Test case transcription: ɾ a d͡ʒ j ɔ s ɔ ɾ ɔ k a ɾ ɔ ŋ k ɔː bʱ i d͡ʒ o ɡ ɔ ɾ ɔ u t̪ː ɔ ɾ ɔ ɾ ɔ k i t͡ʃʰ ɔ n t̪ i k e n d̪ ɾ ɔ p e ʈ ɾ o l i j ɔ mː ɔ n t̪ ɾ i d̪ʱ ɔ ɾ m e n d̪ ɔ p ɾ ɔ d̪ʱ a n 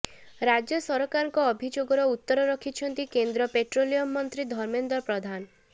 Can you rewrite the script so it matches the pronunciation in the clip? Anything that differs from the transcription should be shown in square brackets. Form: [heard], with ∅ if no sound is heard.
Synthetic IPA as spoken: ɾ a d͡ʒ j ɔ s ɔ ɾ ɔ k a ɾ ɔ ŋ k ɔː bʱ i d͡ʒ o ɡ ɔ ɾ ɔ u t̪ː ɔ ɾ ɔ ɾ ɔ [kʰ] i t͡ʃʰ ɔ n t̪ i k e n d̪ ɾ ɔ p e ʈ ɾ o l i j ɔ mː ɔ n t̪ ɾ i d̪ʱ ɔ ɾ m e n d̪ ɔ p ɾ ɔ d̪ʱ a n